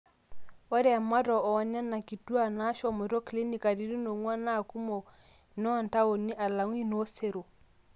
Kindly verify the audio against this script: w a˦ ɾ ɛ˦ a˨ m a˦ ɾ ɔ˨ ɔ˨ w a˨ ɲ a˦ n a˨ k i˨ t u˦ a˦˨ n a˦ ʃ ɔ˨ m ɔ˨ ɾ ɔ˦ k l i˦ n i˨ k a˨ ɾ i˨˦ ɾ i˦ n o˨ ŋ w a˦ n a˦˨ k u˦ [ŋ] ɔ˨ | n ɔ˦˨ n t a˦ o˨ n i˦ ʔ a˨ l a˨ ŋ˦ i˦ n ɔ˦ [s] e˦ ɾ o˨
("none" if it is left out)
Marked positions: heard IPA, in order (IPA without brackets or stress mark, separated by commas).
m, s